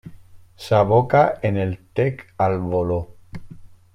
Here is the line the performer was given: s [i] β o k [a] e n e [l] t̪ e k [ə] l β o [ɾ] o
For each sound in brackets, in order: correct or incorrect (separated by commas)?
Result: incorrect, correct, correct, incorrect, incorrect